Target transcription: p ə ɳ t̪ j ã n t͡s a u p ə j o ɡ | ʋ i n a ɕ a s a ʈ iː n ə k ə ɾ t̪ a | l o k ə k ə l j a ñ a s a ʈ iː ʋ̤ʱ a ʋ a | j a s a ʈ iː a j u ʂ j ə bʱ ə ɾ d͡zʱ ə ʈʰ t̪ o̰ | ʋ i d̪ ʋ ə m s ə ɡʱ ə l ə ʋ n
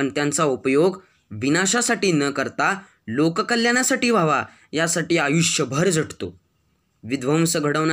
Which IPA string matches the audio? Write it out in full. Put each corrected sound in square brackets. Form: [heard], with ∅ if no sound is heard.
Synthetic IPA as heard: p ə ɳ t̪ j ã n t͡s a u p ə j o ɡ | ʋ i n a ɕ a s a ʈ iː n ə k ə ɾ t̪ a | l o k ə k ə l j a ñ a s a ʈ iː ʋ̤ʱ a ʋ a | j a s a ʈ iː a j u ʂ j ə bʱ ə ɾ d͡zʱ ə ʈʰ t̪ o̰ | ʋ i d̪ ʋ ə m s ə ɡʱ ə [ɽ] ə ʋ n